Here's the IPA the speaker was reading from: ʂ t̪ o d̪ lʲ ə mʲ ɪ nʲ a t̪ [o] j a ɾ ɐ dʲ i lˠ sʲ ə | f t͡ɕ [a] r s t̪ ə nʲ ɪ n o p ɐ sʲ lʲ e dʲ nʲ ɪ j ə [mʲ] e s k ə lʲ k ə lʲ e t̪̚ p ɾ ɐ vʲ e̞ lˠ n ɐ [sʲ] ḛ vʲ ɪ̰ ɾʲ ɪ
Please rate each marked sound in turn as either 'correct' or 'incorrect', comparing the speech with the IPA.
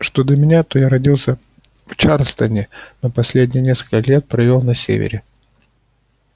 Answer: correct, correct, incorrect, correct

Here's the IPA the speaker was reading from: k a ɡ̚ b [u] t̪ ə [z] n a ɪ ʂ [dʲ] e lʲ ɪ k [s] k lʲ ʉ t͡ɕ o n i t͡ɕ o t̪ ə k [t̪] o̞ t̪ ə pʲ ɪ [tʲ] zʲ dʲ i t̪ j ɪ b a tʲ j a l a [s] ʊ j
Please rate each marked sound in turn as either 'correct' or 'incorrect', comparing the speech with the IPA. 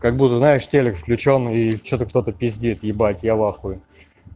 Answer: correct, correct, incorrect, incorrect, correct, incorrect, incorrect

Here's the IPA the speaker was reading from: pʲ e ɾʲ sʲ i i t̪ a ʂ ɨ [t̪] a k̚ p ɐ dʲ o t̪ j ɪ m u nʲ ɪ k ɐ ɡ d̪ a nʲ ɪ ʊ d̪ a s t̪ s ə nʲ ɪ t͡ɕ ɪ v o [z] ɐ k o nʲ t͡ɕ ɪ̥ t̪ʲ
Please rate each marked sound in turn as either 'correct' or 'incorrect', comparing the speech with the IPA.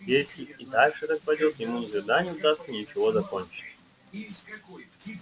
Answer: correct, correct

